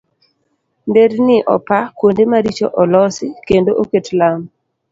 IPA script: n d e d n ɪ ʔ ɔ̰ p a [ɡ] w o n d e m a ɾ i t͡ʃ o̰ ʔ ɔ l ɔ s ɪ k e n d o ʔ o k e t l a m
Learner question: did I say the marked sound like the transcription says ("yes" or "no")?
no